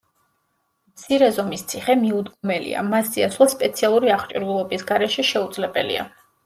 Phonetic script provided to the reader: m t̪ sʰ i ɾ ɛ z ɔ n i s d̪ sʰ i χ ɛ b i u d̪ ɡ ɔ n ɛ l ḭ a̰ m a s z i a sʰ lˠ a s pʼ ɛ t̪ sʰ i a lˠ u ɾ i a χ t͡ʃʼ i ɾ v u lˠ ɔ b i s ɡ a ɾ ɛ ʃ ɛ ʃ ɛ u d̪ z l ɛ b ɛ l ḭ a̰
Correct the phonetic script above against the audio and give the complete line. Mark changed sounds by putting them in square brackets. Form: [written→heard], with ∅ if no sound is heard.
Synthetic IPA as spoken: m t̪ sʰ i ɾ ɛ z ɔ [n→m] i s [d̪→t̪] sʰ i χ ɛ [b→m] i u d̪ ɡ ɔ [n→m] ɛ l ḭ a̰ m a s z i a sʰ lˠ a s pʼ ɛ t̪ sʰ i a lˠ u ɾ i a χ t͡ʃʼ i ɾ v u lˠ ɔ b i s ɡ a ɾ ɛ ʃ ɛ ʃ ɛ u d̪ z l ɛ b ɛ l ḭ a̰